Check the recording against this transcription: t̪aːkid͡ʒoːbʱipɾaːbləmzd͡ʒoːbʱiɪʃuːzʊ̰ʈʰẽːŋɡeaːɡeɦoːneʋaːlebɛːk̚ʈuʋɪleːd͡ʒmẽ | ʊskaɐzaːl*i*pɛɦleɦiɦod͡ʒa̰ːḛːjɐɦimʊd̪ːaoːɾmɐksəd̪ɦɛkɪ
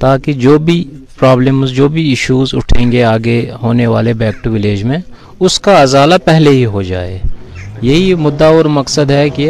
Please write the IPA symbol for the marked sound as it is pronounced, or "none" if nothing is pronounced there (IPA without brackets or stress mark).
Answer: a